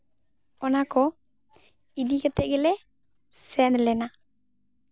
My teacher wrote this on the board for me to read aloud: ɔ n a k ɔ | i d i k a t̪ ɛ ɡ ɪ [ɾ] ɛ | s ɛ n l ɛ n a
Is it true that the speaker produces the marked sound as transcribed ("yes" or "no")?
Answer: no